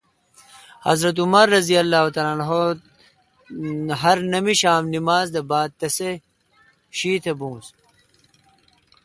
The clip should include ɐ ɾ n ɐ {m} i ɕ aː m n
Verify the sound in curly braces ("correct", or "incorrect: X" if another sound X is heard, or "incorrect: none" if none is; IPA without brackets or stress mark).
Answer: correct